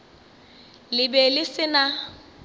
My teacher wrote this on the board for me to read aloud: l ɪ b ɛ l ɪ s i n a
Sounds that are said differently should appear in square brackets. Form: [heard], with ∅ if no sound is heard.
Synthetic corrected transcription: l ɪ b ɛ l ɪ s [ɪ] n a